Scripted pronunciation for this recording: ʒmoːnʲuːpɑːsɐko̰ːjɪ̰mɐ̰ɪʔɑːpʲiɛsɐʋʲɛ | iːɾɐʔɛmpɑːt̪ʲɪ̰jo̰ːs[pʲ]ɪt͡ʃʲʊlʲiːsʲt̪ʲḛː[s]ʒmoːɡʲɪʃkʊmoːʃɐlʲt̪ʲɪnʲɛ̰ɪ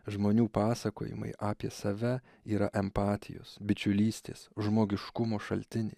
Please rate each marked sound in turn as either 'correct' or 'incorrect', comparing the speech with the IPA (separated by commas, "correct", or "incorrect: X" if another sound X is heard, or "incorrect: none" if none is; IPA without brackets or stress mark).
incorrect: bʲ, correct